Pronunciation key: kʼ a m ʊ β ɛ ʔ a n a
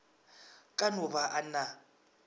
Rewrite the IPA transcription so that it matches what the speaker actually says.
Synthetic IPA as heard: kʼ a n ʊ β a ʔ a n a